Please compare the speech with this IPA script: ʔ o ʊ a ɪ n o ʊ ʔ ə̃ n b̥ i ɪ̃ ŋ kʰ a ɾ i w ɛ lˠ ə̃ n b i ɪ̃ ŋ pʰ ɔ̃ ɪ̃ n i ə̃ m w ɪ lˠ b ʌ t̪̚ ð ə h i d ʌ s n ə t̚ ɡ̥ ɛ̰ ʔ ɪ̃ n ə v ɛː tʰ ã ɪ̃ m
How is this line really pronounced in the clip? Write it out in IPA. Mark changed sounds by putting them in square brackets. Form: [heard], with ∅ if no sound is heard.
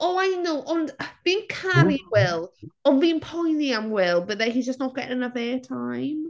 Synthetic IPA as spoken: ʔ o ʊ a ɪ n o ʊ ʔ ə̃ n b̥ i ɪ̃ ŋ kʰ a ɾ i w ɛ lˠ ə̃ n b i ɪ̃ ŋ pʰ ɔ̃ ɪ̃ n i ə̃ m w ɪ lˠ b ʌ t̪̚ ð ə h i [d͡ʒ] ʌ s n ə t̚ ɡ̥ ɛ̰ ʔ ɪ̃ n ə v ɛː tʰ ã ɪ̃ m